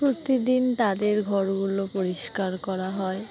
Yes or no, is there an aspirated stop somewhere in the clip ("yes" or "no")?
no